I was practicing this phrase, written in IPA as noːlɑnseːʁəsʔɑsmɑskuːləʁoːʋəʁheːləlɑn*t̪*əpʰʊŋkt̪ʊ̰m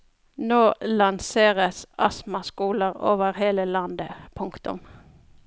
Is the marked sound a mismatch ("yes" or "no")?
yes